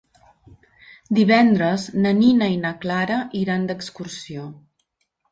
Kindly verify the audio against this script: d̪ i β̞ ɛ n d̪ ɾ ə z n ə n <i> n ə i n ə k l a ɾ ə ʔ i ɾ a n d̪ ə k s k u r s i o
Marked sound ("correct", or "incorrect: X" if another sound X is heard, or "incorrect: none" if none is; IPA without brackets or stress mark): correct